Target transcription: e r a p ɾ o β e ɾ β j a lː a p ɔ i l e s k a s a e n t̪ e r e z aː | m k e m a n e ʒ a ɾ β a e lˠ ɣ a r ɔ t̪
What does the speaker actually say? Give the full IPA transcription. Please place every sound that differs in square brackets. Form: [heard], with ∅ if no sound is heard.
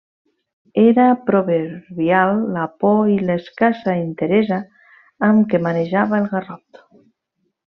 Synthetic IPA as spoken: e [ɾ] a p ɾ o β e ɾ β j a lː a p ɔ i l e s k a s a [i] n t̪ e [ɾ] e z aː | m k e m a n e ʒ a [∅] β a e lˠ ɣ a r ɔ t̪